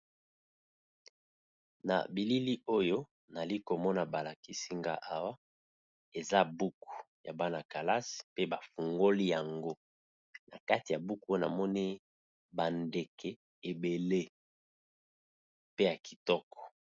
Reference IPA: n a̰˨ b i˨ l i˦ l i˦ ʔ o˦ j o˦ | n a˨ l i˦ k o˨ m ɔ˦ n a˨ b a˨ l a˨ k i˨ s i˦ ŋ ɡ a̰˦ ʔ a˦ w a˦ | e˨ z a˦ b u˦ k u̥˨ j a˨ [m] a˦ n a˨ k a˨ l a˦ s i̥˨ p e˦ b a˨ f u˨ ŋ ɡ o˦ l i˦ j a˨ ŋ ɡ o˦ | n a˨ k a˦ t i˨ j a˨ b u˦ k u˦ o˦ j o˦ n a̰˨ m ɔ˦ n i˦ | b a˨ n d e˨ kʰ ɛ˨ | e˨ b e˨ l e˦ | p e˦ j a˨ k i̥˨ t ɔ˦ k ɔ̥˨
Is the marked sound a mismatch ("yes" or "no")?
yes